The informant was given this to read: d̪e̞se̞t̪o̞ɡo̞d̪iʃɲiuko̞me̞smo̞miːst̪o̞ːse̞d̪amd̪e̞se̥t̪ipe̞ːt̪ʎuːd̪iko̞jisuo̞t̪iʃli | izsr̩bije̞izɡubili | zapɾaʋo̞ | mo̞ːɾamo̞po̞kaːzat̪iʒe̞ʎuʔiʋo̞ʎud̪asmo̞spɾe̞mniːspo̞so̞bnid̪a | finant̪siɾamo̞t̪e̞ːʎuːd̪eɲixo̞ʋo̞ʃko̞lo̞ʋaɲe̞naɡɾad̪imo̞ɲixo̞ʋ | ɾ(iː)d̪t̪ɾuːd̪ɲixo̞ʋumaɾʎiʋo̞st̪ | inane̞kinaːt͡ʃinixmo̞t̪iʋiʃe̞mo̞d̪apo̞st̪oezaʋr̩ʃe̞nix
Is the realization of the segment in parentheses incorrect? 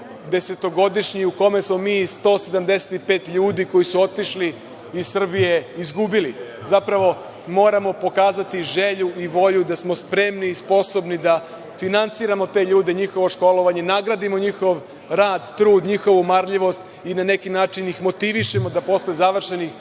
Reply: yes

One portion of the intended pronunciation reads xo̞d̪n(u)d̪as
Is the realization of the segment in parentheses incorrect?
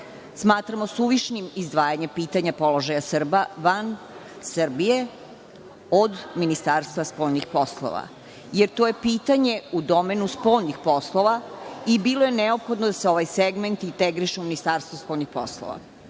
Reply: yes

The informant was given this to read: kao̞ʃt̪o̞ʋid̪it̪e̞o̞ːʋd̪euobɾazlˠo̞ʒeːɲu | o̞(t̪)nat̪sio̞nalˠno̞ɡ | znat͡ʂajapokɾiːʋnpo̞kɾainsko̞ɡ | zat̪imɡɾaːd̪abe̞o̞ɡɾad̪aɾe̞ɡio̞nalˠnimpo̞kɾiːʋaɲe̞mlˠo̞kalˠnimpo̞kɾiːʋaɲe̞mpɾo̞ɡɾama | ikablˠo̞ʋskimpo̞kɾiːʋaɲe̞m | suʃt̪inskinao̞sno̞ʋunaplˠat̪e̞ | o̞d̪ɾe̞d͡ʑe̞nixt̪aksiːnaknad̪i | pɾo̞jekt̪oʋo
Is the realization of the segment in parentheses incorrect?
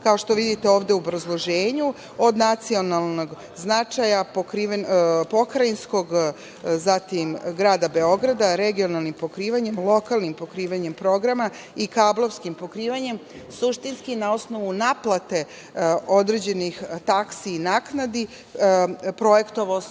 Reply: yes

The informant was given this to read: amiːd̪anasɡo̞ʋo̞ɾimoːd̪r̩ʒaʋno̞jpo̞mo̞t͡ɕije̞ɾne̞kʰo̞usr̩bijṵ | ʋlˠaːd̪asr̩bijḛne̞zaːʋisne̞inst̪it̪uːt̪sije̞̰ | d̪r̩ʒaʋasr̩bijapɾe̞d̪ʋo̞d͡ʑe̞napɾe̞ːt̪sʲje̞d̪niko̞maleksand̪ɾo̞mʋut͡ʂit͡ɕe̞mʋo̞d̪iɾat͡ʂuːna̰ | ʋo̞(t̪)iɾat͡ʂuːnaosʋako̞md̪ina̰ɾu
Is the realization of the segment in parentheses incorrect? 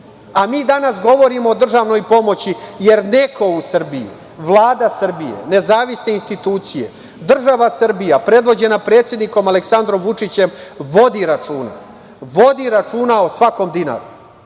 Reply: yes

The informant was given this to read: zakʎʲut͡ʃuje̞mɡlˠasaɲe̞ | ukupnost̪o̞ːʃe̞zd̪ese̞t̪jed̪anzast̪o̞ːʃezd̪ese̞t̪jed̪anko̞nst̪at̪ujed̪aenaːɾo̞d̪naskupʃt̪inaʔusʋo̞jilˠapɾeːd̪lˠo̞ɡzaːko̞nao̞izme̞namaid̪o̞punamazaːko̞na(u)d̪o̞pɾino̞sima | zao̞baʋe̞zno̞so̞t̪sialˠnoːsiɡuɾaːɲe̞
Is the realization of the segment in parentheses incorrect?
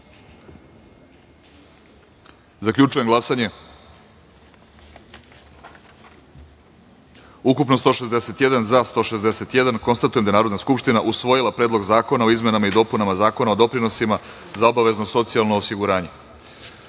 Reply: yes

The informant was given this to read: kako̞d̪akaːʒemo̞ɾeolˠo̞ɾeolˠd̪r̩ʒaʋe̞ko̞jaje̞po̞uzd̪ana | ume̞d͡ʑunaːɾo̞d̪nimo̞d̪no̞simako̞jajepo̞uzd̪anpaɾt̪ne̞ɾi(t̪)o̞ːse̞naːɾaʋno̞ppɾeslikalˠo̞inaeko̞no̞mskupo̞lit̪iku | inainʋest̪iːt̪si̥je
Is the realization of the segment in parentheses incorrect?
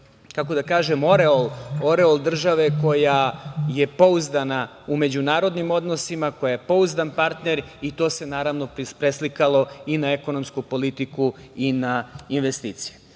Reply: no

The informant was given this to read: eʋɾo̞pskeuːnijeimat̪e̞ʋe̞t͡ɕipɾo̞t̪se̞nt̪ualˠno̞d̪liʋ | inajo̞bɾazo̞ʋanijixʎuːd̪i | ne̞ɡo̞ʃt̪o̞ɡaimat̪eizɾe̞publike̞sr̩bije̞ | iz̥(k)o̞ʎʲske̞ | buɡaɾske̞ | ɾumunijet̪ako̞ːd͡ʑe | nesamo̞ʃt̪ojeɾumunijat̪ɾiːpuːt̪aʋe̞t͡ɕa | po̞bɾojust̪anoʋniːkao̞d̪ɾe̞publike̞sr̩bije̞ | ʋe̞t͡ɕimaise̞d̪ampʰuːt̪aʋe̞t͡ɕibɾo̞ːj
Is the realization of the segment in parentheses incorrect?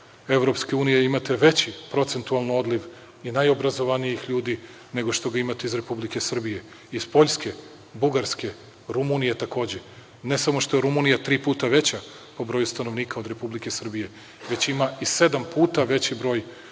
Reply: yes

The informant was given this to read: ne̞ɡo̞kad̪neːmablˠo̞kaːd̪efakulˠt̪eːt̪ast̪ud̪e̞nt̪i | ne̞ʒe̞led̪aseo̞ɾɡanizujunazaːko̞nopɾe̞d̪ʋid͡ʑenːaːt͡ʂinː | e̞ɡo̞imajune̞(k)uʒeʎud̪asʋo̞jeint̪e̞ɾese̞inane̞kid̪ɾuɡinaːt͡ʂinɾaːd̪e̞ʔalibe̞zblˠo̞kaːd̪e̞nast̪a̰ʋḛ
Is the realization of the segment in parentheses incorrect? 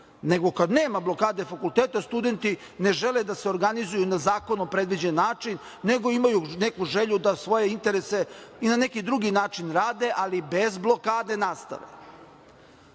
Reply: no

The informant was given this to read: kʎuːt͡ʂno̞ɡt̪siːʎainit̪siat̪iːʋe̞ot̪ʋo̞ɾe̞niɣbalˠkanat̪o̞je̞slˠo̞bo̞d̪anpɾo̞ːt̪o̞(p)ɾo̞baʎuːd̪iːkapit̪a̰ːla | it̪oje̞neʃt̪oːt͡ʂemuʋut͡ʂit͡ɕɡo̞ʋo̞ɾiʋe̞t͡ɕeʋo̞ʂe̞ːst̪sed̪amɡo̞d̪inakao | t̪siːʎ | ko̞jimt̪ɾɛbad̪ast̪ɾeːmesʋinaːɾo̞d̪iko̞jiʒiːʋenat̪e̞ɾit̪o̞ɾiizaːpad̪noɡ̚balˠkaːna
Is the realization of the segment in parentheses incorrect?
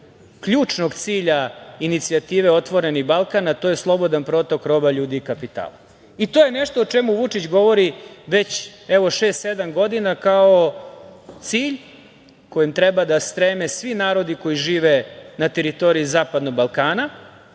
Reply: yes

